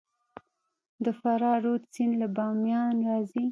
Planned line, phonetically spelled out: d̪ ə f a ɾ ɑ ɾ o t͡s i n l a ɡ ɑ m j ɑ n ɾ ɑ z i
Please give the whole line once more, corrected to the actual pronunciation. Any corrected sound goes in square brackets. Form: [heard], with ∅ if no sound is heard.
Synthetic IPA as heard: d̪ ə f a ɾ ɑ ɾ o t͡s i n l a [b] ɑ m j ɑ n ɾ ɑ z i